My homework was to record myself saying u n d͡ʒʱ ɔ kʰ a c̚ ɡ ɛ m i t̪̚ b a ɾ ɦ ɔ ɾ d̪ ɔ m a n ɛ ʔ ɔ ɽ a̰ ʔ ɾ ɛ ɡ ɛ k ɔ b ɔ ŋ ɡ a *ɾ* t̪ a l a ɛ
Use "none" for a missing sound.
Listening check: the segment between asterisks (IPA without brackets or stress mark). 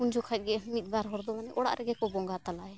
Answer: none